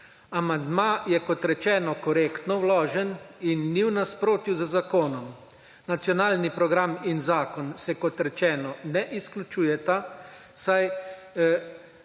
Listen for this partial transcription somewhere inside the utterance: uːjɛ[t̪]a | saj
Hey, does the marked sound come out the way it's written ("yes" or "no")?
yes